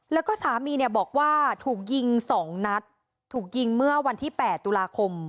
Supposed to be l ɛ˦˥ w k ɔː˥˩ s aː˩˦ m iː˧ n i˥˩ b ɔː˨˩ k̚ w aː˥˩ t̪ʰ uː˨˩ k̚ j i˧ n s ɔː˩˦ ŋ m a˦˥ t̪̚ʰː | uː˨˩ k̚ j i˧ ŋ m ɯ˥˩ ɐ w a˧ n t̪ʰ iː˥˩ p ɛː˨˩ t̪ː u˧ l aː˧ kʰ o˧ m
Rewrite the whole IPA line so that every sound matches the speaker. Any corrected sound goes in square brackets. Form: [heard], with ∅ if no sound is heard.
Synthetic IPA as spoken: l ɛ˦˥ w k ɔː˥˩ s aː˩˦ m iː˧ n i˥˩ b ɔː˨˩ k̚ w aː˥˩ t̪ʰ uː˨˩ k̚ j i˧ [ŋ] s ɔː˩˦ ŋ [n] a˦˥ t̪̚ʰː | uː˨˩ k̚ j i˧ ŋ m ɯ˥˩ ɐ w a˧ n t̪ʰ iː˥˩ p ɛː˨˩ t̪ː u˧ l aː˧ kʰ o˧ m

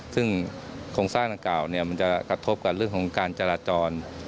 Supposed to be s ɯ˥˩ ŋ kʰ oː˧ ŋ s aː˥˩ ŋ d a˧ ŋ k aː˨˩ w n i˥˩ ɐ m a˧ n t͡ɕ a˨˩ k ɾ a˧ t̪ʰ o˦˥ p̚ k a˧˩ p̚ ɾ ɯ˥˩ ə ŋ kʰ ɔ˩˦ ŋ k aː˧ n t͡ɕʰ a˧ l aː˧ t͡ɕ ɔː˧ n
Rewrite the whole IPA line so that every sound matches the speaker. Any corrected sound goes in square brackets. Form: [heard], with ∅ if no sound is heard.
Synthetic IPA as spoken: s ɯ˥˩ ŋ kʰ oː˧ ŋ s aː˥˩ ŋ d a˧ ŋ k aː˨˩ w n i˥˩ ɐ m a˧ n t͡ɕ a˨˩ k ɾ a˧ t̪ʰ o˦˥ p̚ k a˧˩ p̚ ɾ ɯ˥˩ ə ŋ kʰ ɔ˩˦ ŋ k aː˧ n [t͡ɕ] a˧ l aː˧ t͡ɕ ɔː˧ n

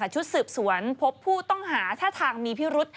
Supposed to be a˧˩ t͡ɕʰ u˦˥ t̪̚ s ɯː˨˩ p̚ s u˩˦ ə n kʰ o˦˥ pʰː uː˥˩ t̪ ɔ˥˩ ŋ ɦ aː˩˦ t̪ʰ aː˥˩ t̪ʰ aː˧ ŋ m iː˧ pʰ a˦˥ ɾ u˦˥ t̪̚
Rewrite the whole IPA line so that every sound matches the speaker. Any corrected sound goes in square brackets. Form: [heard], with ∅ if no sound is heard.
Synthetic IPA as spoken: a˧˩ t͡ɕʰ u˦˥ t̪̚ s ɯː˨˩ p̚ s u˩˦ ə n [pʰ] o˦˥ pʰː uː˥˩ t̪ ɔ˥˩ ŋ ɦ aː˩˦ t̪ʰ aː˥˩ t̪ʰ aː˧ ŋ m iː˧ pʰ [i˦˥] ɾ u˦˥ t̪̚

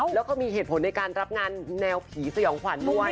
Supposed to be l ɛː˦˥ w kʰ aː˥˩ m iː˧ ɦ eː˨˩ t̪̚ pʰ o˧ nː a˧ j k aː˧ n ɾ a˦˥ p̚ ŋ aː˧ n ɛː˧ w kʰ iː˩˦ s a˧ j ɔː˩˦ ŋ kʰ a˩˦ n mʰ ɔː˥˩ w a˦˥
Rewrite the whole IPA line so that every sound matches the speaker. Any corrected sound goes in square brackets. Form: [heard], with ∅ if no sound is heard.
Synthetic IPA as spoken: l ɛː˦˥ w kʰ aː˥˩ m iː˧ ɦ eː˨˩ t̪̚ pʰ [o˩˦] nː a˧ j k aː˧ n ɾ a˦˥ p̚ ŋ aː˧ [nː] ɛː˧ w [pʰ] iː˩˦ s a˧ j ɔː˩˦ ŋ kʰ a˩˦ n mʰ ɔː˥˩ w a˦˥

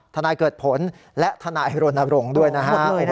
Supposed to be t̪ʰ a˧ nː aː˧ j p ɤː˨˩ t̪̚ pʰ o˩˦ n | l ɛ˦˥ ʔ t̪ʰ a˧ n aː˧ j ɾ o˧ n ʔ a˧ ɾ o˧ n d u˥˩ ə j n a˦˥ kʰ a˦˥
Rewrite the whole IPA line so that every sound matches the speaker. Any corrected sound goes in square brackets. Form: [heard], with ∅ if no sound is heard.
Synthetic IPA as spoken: t̪ʰ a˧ [n] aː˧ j [k] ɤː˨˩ t̪̚ pʰ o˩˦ n | l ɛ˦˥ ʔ t̪ʰ a˧ n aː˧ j ɾ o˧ n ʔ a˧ ɾ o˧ [ŋ] d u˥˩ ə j n a˦˥ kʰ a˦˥

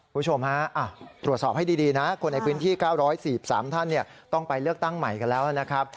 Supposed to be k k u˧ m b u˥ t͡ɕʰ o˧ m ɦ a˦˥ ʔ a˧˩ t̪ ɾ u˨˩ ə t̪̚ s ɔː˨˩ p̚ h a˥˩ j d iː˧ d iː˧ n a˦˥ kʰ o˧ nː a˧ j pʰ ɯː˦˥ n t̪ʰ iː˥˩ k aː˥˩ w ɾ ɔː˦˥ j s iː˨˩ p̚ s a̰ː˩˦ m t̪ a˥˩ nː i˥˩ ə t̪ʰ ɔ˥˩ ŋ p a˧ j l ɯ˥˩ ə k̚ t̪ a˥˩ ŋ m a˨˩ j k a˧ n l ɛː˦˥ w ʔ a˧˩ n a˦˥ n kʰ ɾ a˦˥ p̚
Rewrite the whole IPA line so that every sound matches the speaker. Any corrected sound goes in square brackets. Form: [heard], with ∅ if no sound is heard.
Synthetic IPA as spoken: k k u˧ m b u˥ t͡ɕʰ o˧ m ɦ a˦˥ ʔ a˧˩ t̪ ɾ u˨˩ ə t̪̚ s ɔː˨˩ p̚ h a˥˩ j d iː˧ d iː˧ n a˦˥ kʰ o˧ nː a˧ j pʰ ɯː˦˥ n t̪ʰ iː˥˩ k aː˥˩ w ɾ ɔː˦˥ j s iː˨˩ p̚ s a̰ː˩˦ m [t̪ʰ] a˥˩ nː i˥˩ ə [t̪] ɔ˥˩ ŋ p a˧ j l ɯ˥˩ ə k̚ t̪ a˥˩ ŋ m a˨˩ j k a˧ n l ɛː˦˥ w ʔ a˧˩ n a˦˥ [∅] kʰ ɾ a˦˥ p̚

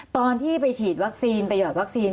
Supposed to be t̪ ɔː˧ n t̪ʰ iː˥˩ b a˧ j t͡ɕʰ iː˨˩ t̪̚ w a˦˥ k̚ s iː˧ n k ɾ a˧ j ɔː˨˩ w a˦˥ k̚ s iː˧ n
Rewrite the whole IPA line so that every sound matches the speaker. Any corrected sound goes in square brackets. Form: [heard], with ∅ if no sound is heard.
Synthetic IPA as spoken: t̪ ɔː˧ n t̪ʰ iː˥˩ [p] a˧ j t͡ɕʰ iː˨˩ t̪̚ w a˦˥ k̚ s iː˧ n [p] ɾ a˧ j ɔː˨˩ w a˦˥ k̚ s iː˧ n

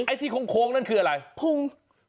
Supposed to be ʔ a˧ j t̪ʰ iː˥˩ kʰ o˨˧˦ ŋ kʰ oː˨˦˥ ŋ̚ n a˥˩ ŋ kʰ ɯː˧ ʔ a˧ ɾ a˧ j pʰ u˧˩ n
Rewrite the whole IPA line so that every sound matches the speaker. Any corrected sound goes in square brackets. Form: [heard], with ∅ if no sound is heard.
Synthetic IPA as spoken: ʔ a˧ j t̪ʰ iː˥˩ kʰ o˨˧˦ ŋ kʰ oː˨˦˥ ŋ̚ n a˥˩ [n] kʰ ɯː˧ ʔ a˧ ɾ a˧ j pʰ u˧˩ [ŋ]

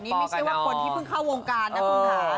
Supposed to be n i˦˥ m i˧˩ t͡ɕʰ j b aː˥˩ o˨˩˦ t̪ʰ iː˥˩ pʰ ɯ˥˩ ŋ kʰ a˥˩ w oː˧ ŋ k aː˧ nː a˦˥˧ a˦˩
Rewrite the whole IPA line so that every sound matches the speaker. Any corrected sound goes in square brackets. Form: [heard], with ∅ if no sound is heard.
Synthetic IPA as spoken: n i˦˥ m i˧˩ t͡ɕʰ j [w] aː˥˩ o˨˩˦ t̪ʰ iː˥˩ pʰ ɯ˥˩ ŋ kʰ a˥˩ w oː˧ ŋ k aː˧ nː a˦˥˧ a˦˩

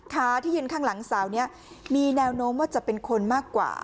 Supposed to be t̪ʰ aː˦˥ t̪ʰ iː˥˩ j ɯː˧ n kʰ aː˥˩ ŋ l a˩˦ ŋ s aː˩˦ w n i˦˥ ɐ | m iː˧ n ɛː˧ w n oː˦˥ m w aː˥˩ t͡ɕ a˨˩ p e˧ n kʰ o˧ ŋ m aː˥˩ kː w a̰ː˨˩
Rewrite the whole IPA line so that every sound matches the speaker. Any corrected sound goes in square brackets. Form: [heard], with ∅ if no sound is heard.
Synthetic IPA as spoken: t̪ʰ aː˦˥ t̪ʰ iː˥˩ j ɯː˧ n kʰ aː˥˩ ŋ l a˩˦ ŋ s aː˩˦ w n i˦˥ ɐ | m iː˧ n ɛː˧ w n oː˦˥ m w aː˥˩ t͡ɕ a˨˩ p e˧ n kʰ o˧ [n] m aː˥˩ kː w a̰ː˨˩

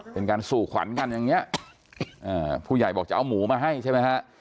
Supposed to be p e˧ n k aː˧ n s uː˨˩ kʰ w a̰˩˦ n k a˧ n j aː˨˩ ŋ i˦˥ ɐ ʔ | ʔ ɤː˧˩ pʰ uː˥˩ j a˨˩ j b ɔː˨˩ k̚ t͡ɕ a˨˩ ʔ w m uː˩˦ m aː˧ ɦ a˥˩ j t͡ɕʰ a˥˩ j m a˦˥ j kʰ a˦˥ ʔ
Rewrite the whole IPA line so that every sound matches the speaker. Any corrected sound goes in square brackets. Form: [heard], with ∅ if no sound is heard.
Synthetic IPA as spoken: p e˧ n k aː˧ n s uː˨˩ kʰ w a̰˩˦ n k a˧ n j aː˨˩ ŋ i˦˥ ɐ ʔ | ʔ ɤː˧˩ pʰ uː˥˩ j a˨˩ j b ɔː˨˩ k̚ t͡ɕ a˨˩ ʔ w m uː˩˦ m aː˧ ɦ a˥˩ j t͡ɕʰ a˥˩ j m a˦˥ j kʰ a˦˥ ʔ

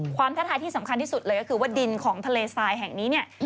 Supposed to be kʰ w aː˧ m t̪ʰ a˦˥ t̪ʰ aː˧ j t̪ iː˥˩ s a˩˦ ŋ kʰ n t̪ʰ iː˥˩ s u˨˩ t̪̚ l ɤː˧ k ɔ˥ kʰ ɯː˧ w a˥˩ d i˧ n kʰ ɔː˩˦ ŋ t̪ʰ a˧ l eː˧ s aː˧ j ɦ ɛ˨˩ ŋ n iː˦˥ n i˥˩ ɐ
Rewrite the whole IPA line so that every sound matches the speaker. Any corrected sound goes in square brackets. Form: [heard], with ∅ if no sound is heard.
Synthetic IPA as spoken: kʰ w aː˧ m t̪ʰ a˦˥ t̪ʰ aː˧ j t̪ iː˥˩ s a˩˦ [m] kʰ n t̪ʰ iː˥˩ s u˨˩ t̪̚ l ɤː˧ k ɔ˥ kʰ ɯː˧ w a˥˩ d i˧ n kʰ ɔː˩˦ ŋ t̪ʰ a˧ l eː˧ s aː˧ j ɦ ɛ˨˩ ŋ n iː˦˥ n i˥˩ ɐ

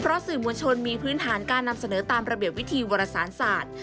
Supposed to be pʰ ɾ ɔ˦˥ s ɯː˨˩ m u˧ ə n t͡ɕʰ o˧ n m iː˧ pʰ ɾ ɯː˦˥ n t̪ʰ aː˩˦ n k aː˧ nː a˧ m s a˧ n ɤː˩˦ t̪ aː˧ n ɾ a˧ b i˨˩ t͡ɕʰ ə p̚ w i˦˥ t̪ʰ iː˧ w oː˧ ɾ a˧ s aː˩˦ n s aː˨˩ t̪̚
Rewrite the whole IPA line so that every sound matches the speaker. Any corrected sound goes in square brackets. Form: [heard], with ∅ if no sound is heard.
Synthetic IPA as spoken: pʰ ɾ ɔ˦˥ s ɯː˨˩ m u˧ ə n t͡ɕʰ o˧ n m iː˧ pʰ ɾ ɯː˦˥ n t̪ʰ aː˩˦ n k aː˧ nː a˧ m s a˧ n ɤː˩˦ t̪ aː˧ [m] ɾ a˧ b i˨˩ [∅] ə p̚ w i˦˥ t̪ʰ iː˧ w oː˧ ɾ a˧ s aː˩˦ n s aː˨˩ t̪̚

